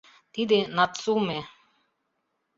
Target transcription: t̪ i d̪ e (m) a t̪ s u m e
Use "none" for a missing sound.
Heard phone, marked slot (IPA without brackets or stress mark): n